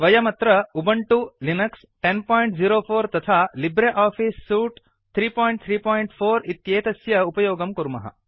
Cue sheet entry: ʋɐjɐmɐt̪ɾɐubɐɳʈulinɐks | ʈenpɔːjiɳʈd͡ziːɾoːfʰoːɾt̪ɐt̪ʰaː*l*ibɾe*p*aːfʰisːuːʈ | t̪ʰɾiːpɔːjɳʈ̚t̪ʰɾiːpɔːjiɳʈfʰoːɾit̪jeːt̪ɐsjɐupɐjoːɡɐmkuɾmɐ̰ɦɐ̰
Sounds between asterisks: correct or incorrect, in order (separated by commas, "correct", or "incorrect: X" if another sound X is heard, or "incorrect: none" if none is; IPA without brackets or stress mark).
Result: correct, incorrect: ʔ